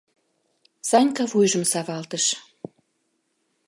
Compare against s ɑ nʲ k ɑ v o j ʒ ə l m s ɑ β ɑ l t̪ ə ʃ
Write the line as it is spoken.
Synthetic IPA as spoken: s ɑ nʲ k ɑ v u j ʒ ə m s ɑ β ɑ l t̪ ə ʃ

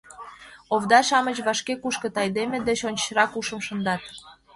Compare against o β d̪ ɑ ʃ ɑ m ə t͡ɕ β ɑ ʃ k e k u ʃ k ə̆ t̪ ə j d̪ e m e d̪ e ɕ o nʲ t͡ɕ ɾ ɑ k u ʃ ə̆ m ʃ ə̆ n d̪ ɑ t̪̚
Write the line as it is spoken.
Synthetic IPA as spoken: o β d̪ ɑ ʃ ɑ m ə t͡ɕ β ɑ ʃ k e k u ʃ k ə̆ t̪ ɑ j d̪ e m e d̪ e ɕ o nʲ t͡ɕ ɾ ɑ k u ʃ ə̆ m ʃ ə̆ n d̪ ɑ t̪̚

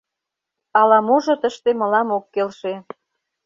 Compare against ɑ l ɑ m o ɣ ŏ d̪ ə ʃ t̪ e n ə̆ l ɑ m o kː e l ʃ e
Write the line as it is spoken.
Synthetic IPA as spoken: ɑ l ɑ m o ʒ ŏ t̪ ə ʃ t̪ e m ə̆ l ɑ m o kː e l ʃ e

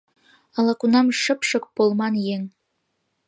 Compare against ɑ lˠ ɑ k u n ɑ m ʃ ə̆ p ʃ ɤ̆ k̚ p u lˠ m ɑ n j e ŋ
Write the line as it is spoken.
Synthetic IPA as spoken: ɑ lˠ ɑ k u n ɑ m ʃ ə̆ p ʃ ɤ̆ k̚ p o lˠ m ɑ n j e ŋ

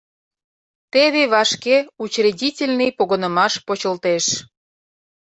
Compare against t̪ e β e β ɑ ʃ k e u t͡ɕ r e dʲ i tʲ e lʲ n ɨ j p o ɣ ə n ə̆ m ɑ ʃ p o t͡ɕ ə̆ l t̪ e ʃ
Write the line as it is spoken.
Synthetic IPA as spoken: t̪ e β e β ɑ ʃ k e u t͡ɕ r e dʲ i tʲ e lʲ n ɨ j p o ɣ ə n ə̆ m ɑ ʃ p o t͡ɕ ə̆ l t̪ e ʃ

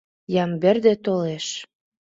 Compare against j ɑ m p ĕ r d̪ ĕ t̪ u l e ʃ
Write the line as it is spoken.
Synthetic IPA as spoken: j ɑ m b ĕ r d̪ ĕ t̪ o l e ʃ

